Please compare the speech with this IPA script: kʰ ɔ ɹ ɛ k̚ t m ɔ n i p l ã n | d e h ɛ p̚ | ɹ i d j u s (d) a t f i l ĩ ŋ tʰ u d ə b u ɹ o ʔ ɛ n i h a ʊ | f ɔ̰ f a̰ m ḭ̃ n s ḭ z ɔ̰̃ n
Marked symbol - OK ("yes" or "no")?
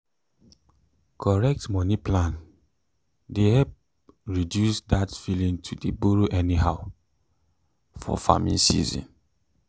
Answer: yes